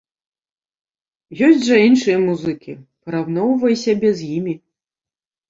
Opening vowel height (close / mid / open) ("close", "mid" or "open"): mid